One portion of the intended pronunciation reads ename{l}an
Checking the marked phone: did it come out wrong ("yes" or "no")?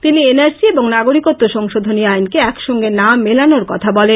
no